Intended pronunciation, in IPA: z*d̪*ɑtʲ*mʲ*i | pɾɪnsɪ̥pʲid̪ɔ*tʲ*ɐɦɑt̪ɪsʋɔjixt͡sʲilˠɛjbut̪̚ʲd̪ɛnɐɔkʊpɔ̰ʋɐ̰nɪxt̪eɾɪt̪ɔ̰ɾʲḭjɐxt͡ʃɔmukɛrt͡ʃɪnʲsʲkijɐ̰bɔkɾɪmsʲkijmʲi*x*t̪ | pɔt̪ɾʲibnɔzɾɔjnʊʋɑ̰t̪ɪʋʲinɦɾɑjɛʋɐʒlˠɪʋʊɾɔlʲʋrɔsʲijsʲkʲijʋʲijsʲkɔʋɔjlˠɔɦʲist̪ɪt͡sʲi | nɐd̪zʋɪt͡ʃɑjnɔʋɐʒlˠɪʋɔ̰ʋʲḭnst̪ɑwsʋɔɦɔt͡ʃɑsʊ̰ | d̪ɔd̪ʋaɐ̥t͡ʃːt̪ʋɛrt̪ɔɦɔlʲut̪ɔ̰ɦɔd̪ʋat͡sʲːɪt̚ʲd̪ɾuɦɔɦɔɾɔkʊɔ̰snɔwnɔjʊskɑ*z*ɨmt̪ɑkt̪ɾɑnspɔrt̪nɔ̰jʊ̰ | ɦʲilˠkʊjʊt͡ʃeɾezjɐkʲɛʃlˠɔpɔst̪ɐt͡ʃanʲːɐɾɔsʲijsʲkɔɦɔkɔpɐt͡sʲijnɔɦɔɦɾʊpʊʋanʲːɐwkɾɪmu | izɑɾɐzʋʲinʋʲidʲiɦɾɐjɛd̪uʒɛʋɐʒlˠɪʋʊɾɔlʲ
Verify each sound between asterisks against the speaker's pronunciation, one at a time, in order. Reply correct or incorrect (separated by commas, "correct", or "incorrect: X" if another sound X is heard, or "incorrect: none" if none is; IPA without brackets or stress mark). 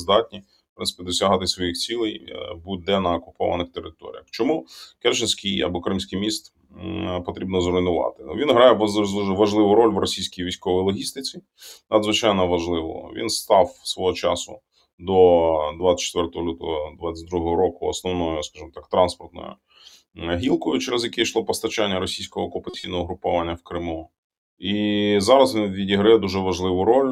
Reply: correct, incorrect: nʲ, incorrect: sʲ, incorrect: s, incorrect: ʒ